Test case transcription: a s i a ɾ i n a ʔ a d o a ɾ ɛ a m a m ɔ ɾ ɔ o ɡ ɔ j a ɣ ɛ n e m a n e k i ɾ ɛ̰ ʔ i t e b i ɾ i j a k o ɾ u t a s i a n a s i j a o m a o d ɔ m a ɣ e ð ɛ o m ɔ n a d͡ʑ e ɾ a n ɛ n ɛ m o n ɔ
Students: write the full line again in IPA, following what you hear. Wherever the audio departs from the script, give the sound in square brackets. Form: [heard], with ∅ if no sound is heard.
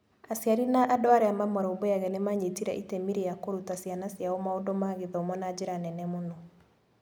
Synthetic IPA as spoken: a s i a ɾ i n a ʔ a d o a ɾ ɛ a m a m ɔ ɾ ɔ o [b] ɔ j a ɣ ɛ n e m a [ɲ] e [t] i ɾ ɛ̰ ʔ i t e [m] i ɾ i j a k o ɾ u t a s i a n a s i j a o m a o d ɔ m a ɣ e ð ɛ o m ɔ n a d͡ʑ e ɾ a n ɛ n ɛ m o n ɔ